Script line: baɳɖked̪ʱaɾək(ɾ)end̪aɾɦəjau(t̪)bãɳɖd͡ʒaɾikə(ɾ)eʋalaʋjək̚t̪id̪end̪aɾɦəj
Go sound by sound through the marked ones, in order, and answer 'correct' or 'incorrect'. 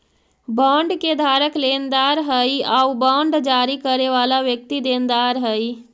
incorrect: l, incorrect: none, correct

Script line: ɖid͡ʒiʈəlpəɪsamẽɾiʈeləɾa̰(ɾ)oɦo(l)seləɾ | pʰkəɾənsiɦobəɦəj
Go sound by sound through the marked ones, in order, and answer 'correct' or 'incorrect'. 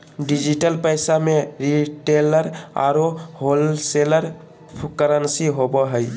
correct, correct

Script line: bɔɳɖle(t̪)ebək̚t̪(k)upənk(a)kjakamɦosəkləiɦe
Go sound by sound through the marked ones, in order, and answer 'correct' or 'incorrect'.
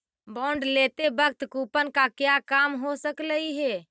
correct, correct, correct

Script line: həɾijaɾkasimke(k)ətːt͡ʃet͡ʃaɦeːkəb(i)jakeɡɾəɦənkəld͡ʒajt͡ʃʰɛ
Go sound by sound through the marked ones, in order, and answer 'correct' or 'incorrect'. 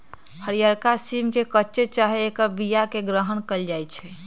correct, correct

